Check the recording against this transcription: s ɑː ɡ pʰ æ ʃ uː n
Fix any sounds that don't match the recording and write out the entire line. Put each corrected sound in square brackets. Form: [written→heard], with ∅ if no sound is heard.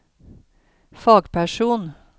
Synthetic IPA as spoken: [s→f] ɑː ɡ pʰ æ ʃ uː n